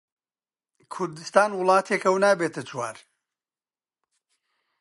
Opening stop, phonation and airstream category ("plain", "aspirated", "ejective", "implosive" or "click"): aspirated